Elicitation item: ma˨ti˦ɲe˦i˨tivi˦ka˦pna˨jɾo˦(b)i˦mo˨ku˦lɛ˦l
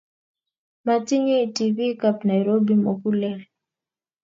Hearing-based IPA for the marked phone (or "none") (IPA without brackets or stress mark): b